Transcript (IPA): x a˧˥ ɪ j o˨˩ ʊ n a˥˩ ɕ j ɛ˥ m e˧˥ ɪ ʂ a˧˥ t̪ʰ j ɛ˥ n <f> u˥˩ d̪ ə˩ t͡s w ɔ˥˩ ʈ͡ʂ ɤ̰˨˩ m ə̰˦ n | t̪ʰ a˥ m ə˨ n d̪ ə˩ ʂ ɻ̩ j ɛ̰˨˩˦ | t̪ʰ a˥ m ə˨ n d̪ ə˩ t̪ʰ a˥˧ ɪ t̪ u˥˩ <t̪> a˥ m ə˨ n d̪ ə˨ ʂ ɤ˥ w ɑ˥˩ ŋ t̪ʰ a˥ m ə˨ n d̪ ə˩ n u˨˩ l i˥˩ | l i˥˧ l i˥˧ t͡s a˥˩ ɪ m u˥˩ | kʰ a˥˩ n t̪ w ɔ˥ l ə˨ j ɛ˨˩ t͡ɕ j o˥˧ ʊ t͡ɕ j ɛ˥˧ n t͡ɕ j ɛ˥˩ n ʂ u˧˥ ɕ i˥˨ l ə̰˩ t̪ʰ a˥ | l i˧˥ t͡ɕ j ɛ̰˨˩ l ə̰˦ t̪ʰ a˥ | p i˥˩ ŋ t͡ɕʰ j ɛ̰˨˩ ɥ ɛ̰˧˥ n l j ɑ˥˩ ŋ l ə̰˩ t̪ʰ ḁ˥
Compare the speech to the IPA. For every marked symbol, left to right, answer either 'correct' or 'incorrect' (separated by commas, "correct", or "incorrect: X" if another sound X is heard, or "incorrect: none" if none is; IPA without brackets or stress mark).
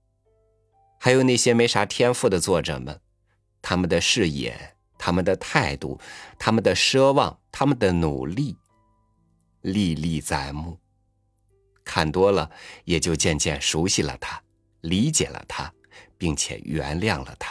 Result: correct, incorrect: t̪ʰ